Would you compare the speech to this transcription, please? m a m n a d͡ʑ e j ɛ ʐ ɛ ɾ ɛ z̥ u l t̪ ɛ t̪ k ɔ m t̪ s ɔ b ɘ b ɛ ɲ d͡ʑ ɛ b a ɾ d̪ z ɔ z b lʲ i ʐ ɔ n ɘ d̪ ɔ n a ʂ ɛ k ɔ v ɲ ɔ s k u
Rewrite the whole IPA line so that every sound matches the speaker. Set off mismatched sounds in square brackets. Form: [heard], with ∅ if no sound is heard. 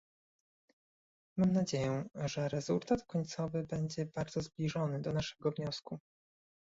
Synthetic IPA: m a m n a d͡ʑ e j ɛ ʐ ɛ ɾ ɛ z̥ u l t̪ [a] t̪ k ɔ [ɲ] t̪ s ɔ [v] ɘ b ɛ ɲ d͡ʑ ɛ b a ɾ d̪ z ɔ z b lʲ i ʐ ɔ n ɘ d̪ ɔ n a ʂ ɛ [ɡ] ɔ v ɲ ɔ s k u